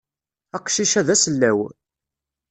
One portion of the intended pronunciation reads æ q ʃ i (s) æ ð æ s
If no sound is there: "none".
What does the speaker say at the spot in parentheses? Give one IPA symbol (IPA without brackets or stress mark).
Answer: ʃ